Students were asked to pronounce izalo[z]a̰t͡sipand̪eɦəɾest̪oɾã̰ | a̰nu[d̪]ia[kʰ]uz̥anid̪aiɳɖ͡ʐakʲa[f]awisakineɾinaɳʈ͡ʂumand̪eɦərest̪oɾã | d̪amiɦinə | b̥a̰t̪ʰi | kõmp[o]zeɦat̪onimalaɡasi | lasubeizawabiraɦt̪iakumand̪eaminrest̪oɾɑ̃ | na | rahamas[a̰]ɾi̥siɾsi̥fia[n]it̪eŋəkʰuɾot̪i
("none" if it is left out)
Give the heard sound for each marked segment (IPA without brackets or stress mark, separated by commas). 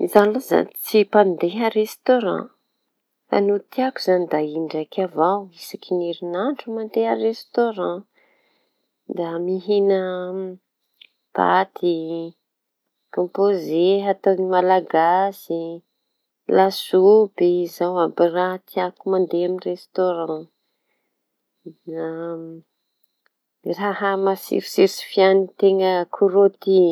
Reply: z, t̪, k, v, o, ḭ, n